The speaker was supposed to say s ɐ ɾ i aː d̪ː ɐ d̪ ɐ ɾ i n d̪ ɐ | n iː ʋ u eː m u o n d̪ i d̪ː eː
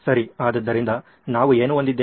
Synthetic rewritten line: s ɐ ɾ i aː d̪ ɐ d̪ː ɐ ɾ i n d̪ ɐ | n aː ʋ u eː n u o n d̪ i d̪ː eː